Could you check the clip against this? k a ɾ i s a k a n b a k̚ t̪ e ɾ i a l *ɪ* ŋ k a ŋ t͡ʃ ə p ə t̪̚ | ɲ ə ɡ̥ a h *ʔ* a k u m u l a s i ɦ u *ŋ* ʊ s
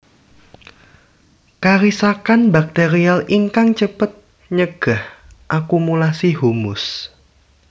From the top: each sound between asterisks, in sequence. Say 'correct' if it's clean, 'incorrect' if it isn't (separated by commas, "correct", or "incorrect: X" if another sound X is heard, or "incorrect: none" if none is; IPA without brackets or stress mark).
incorrect: i, correct, incorrect: m